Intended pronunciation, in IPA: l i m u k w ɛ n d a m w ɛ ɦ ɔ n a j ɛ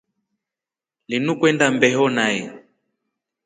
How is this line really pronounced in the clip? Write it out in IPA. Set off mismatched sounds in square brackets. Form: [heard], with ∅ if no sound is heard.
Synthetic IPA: l i [n] u k w ɛ n d a m [b] ɛ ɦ ɔ n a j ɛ